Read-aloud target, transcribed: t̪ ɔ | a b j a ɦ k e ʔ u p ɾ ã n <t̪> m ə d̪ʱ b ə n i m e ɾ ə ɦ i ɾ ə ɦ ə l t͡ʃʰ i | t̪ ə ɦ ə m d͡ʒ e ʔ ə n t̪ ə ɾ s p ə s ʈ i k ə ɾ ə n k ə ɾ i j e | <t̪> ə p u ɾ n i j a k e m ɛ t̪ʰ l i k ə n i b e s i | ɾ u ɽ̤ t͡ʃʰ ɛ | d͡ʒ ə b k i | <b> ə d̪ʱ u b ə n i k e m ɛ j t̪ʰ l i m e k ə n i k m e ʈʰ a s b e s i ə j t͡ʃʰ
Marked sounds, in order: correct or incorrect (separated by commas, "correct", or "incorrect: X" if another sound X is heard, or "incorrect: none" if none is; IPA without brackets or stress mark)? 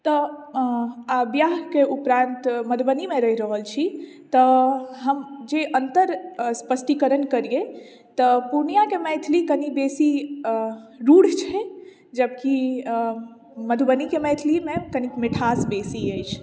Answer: correct, correct, incorrect: m